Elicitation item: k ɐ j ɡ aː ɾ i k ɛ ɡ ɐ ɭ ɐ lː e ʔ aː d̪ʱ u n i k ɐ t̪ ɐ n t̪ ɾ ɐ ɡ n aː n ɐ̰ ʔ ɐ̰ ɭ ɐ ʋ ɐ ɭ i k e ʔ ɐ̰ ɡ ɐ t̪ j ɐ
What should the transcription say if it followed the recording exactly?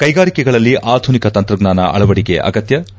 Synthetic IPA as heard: k ɐ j ɡ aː ɾ i k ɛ ɡ ɐ ɭ ɐ lː i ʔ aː d̪ʱ u n i k ɐ t̪ ɐ n t̪ ɾ ɐ ɡ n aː n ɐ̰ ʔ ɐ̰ ɭ ɐ ʋ ɐ ɽ i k e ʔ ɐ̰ ɡ ɐ t̪ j ɐ